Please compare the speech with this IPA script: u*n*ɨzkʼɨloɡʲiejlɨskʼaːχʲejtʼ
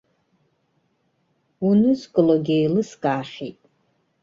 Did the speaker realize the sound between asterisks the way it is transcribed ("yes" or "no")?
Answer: yes